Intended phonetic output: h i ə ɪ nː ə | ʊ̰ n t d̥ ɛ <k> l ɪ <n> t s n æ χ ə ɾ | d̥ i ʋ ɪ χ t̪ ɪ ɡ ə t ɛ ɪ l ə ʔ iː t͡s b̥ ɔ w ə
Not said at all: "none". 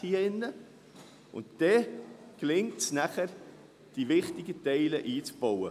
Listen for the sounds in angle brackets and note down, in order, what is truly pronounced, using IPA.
k, ŋ

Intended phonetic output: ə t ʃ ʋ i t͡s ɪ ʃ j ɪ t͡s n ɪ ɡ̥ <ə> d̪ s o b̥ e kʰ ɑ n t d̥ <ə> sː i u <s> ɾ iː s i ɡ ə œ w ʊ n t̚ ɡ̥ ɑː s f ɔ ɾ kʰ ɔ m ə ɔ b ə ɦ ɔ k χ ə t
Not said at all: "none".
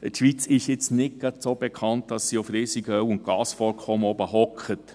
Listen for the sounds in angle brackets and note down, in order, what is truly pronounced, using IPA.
ɑ, ɑ, f

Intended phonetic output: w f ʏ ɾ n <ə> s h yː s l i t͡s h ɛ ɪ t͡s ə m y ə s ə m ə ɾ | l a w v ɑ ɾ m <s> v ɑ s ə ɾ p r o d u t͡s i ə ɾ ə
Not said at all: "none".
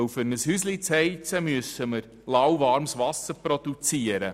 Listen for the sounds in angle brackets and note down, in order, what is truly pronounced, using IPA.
ə, s

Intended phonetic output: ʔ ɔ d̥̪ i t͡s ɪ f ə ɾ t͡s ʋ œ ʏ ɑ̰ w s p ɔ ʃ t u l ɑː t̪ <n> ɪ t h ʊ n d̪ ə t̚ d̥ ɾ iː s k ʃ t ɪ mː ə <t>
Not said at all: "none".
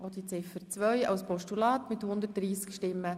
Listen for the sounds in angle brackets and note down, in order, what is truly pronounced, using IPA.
m, none

